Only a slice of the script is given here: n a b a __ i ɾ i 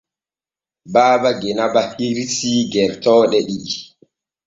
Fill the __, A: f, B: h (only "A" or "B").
B